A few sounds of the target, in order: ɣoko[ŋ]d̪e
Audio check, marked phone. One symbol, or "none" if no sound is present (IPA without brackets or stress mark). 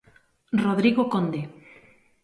n